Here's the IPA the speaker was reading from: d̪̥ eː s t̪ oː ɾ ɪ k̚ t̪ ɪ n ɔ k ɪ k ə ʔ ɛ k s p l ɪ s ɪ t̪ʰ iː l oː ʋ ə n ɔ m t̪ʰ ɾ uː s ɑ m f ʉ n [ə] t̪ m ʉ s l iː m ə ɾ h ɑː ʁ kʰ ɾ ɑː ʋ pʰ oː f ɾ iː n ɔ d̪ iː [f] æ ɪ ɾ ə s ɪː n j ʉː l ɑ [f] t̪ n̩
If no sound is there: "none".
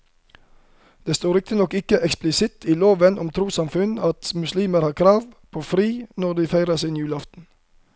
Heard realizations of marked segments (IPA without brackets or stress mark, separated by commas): ɑ, f, f